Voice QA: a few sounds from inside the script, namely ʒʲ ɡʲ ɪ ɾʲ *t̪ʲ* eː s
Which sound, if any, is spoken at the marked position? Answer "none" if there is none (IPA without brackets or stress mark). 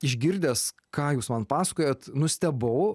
d̪ʲ